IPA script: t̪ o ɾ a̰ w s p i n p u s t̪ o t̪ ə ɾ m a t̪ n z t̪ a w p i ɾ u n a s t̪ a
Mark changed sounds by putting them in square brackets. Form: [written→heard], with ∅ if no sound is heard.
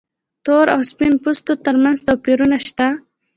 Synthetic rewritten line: t̪ o ɾ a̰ w s p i n p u s t̪ o t̪ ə ɾ m a [t̪→∅] n z t̪ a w p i ɾ u n a [s→ʃ] t̪ a